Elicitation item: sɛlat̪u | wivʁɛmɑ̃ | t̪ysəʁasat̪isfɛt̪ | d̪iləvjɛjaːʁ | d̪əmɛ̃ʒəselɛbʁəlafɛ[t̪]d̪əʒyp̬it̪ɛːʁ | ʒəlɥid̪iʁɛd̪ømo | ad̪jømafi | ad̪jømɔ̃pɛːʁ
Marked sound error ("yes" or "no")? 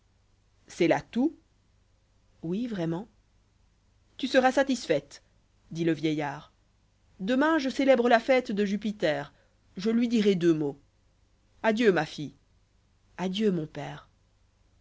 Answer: no